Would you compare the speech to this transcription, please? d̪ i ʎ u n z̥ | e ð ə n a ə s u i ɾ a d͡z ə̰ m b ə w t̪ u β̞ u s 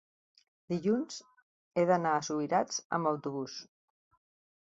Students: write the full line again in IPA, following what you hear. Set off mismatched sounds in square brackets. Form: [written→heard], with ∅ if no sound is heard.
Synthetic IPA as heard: d̪ i ʎ u n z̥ | e ð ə n a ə s u i ɾ a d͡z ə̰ m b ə w t̪ u β̞ u s